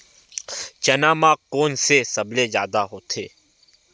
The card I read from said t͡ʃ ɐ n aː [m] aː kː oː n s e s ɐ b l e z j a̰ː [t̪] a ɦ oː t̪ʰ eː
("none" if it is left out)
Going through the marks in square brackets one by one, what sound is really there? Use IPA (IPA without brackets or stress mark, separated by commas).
m, d̪